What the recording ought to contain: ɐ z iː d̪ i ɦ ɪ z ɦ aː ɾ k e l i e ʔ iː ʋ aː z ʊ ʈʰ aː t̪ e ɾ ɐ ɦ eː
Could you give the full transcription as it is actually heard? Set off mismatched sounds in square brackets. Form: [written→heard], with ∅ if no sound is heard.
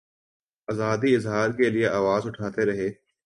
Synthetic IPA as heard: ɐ z [iː→aː] d̪ i [ɦ→∅] ɪ z ɦ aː ɾ k e l i e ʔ [iː→aː] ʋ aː z ʊ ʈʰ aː t̪ e ɾ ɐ ɦ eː